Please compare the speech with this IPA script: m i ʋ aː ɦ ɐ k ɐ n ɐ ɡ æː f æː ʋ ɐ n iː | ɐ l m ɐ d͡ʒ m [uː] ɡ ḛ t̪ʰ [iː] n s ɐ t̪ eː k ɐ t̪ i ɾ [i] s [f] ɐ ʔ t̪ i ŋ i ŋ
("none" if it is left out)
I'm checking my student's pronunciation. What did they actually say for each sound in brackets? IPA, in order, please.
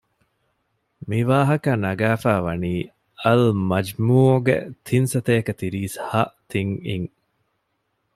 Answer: uː, i, iː, h

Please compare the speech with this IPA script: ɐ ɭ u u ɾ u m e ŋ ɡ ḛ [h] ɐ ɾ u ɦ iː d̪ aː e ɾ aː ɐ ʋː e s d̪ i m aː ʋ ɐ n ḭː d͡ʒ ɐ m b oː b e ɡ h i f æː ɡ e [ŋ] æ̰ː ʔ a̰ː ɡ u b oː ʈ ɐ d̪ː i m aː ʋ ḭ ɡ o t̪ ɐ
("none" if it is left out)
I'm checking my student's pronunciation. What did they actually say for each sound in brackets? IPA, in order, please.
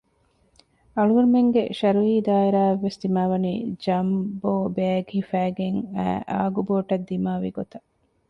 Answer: ʃ, ŋ

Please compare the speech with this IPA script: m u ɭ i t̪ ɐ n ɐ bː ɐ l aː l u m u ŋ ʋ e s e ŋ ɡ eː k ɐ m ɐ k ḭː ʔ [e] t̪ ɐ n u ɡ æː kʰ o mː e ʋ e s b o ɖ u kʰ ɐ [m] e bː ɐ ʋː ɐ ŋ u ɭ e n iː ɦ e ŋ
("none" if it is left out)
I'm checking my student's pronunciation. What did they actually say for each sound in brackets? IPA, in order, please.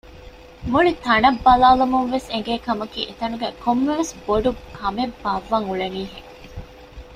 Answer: e, m

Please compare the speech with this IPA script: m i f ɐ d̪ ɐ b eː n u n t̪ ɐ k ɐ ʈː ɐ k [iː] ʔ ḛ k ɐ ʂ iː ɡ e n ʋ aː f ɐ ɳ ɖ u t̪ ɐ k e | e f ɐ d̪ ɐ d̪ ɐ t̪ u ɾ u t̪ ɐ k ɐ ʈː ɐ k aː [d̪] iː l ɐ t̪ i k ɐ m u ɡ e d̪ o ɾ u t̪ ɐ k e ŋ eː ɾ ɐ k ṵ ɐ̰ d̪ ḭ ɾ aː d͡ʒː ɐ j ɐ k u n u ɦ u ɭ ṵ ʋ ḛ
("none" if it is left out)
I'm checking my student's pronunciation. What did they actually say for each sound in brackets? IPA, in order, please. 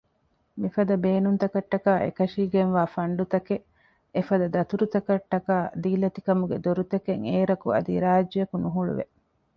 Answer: aː, d̪

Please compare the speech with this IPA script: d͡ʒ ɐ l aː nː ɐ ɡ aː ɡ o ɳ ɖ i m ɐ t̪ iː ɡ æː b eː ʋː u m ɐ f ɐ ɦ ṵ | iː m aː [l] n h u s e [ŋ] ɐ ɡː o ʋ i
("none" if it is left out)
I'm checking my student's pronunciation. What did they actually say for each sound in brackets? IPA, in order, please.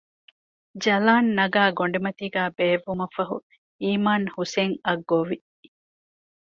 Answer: none, ŋ

